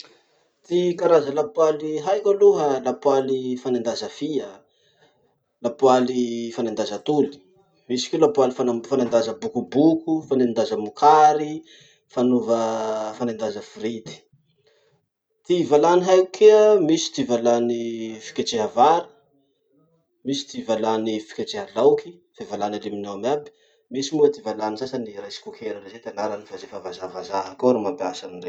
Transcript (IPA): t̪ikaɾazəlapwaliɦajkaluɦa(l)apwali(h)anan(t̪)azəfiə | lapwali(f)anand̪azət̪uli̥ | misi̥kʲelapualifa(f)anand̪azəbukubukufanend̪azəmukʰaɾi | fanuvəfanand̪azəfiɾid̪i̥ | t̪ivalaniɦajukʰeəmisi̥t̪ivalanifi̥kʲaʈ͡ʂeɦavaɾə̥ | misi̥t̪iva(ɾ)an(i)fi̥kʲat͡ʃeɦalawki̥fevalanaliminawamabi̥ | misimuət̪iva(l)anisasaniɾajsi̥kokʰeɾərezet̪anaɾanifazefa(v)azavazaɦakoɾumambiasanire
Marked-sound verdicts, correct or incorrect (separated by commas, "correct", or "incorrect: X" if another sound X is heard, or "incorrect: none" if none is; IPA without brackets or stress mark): correct, incorrect: f, incorrect: d̪, correct, correct, incorrect: l, correct, correct, correct